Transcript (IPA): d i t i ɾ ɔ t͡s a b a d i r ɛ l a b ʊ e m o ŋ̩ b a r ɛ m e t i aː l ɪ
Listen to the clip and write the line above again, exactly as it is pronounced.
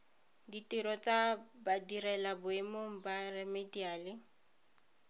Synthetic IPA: d i t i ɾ ɔ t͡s a b a d i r ɛ l a b ʊ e m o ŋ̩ b a r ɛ m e d i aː l ɪ